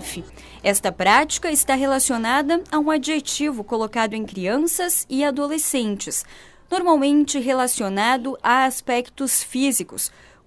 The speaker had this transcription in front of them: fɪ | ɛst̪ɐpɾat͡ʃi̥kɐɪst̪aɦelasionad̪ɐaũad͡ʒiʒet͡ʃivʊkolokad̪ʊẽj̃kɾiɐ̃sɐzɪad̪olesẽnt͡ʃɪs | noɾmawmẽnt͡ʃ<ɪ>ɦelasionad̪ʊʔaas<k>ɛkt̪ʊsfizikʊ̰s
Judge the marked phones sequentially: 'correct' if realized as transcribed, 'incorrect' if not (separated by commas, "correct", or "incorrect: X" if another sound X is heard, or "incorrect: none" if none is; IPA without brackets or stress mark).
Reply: correct, incorrect: p